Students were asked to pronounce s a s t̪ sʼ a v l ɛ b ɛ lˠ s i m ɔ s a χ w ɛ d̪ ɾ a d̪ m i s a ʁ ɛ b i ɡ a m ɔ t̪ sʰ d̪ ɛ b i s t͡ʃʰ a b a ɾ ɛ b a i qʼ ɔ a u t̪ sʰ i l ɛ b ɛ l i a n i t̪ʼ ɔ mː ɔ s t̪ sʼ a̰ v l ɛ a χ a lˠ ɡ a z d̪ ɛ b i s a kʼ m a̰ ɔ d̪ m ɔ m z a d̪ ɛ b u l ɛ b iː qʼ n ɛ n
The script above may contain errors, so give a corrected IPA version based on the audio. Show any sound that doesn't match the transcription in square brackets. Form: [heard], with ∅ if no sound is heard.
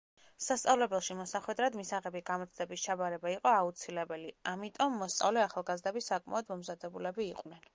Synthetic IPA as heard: s a s t̪ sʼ a v l ɛ b ɛ lˠ [ʃ] i m ɔ s a χ w ɛ d̪ ɾ a d̪ m i s a ʁ ɛ b i ɡ a m ɔ t̪ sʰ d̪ ɛ b i s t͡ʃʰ a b a ɾ ɛ b a i qʼ ɔ a u t̪ sʰ i l ɛ b ɛ l i a [m] i t̪ʼ ɔ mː ɔ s t̪ sʼ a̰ v l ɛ a χ a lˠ ɡ a z d̪ ɛ b i s a kʼ m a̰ ɔ d̪ m ɔ m z a d̪ ɛ b u l ɛ b iː qʼ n ɛ n